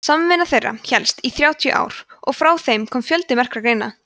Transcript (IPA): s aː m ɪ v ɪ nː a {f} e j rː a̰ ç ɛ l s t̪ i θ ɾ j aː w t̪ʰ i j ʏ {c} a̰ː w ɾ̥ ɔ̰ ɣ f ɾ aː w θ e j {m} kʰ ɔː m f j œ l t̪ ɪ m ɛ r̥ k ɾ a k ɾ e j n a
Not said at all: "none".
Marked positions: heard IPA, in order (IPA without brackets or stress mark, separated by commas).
θ, ʔ, m